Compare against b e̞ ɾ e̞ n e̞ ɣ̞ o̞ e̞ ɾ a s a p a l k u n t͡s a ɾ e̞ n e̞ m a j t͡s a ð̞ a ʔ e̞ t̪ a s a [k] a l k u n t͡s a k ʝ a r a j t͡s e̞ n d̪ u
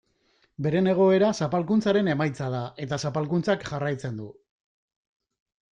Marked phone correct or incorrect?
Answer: incorrect